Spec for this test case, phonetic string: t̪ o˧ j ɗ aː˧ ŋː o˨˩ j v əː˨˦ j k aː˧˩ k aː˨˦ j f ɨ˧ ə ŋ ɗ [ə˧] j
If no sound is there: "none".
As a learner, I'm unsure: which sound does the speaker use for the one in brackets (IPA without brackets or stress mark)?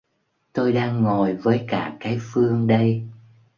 ə˧